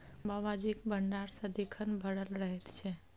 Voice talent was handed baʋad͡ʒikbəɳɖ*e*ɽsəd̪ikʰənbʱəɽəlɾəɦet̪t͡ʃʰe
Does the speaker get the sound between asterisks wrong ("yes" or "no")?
yes